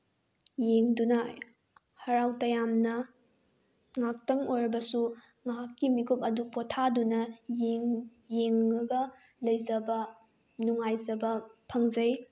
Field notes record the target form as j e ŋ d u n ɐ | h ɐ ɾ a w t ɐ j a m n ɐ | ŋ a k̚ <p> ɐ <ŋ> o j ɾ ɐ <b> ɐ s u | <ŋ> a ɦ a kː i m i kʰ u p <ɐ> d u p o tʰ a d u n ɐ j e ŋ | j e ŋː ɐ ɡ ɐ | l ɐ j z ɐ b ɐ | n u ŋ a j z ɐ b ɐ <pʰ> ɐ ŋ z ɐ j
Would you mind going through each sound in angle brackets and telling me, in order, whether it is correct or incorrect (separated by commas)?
incorrect, correct, correct, correct, correct, correct